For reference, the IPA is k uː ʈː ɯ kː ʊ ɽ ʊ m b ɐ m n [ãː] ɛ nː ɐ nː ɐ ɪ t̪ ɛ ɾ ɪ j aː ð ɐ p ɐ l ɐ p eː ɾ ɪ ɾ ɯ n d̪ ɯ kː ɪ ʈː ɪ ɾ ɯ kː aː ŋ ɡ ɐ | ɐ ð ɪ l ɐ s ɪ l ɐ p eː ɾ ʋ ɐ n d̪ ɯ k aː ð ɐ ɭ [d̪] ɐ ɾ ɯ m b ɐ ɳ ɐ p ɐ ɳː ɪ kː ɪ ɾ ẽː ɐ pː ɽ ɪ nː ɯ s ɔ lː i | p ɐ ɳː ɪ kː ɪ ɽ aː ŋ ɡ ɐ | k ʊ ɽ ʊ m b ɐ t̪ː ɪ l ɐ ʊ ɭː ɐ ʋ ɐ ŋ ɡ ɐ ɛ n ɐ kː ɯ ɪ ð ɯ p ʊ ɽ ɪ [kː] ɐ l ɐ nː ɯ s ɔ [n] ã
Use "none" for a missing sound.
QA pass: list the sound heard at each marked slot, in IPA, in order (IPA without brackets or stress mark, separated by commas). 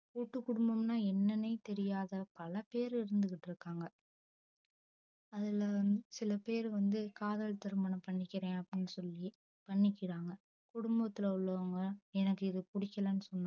aː, t̪, kː, nː